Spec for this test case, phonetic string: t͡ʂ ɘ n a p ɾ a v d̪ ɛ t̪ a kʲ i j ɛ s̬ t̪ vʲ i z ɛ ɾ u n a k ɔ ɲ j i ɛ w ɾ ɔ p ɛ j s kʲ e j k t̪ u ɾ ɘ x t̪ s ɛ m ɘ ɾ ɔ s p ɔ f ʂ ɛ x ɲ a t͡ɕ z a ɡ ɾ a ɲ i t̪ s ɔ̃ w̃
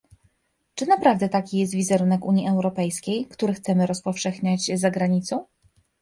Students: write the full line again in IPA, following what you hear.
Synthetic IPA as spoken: t͡ʂ ɘ n a p ɾ a v d̪ ɛ t̪ a kʲ i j ɛ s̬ t̪ vʲ i z ɛ ɾ u n ɛ k u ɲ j i ɛ w ɾ ɔ p ɛ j s kʲ e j k t̪ u ɾ ɘ x t̪ s ɛ m ɘ ɾ ɔ s p ɔ f ʂ ɛ x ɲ a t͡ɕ z a ɡ ɾ a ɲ i t̪ s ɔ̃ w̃